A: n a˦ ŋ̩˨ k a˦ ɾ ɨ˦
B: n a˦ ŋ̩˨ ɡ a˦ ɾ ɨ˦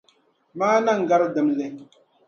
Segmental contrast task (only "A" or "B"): B